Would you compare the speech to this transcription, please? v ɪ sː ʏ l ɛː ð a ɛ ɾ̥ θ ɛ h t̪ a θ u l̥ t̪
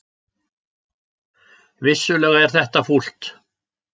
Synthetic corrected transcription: v ɪ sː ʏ l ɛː ɣ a ɛ ɾ̥ θ ɛ h t̪ a f u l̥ t̪